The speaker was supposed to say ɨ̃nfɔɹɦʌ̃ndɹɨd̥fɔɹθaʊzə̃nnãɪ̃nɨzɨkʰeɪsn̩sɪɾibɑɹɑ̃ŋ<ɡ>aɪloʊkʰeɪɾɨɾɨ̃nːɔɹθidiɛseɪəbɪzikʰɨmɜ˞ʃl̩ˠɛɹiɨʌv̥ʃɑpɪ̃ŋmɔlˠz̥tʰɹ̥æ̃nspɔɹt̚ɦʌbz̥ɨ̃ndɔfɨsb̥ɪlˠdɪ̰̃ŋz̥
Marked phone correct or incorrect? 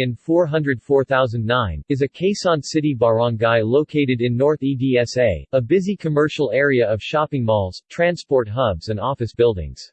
correct